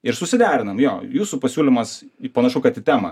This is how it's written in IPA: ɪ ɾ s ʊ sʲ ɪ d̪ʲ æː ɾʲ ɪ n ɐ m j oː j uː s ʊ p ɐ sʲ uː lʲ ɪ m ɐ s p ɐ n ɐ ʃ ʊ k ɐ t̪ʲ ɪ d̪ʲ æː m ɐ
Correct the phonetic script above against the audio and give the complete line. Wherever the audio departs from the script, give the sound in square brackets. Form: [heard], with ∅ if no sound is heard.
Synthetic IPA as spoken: ɪ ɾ s ʊ sʲ ɪ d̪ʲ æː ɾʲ ɪ n ɐ m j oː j uː s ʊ p ɐ sʲ uː lʲ ɪ m ɐ s p ɐ n ɐ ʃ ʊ k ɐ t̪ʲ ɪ [t̪ʲ] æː m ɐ